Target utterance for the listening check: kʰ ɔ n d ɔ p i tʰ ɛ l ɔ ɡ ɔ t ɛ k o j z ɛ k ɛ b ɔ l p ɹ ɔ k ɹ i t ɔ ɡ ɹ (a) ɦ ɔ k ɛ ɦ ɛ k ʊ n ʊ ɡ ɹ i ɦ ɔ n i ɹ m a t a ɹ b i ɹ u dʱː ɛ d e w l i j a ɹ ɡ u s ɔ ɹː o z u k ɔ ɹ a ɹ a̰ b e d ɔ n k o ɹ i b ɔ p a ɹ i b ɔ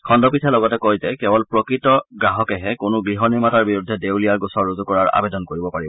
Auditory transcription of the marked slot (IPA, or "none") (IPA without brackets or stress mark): a